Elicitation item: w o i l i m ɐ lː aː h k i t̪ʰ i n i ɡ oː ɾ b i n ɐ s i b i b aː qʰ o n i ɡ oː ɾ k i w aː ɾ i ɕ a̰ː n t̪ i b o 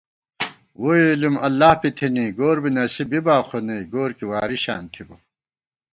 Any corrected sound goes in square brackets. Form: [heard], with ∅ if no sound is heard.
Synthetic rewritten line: w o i l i m ɐ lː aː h [p] i t̪ʰ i n i ɡ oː ɾ b i n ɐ s i b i b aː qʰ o n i ɡ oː ɾ k i w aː ɾ i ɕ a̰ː n [t̪ʰ] i b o